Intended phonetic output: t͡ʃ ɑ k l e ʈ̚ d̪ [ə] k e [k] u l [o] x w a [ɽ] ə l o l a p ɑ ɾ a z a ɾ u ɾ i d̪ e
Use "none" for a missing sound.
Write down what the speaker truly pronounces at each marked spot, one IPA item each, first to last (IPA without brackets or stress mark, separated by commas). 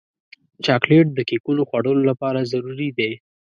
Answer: ə, k, o, ɽ